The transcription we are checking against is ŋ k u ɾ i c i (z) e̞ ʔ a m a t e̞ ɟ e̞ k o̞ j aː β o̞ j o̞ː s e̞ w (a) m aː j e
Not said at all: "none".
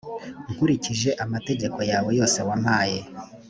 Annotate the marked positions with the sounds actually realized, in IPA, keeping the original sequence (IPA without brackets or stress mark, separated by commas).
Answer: ʒ, a